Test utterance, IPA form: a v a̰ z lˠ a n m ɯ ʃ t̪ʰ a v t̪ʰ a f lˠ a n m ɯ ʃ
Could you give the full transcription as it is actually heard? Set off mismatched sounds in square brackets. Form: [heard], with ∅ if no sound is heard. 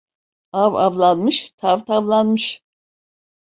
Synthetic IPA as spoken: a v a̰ [v] lˠ a n m ɯ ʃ t̪ʰ a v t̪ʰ a [v] lˠ a n m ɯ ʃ